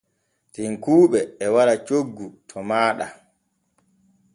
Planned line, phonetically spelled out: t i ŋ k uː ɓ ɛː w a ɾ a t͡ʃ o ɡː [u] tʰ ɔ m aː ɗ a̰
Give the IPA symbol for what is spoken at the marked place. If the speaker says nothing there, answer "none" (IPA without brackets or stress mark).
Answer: u